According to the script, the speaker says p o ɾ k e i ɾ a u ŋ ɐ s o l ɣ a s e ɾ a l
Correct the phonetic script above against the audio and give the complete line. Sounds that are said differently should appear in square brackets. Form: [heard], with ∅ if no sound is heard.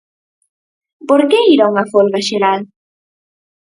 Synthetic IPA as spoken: p o ɾ k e i ɾ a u ŋ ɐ [f] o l ɣ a [ʃ] e ɾ a l